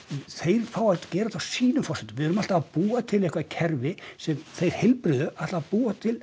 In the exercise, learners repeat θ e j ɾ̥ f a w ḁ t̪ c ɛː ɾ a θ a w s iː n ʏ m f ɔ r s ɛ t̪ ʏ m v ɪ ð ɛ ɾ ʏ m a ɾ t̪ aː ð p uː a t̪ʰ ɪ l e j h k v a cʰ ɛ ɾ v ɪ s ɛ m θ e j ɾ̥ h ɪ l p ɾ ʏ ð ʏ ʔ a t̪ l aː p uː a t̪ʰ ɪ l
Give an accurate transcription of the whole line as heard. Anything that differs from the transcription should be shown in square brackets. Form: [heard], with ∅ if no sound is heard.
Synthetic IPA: θ e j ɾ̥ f a w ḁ t̪ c ɛː ɾ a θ a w s iː n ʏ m f ɔ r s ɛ t̪ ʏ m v ɪ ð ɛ ɾ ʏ m a [l] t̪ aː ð p uː a t̪ʰ ɪ l e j h k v a cʰ ɛ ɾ v ɪ s ɛ m θ e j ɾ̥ h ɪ l p ɾ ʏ ð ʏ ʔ a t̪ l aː p uː a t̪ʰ ɪ l